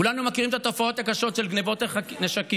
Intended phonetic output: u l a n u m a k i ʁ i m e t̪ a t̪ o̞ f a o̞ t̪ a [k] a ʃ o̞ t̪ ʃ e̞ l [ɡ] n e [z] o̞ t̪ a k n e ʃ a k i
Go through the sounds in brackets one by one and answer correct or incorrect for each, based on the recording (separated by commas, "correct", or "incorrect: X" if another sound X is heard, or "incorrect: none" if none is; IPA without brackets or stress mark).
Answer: correct, correct, incorrect: v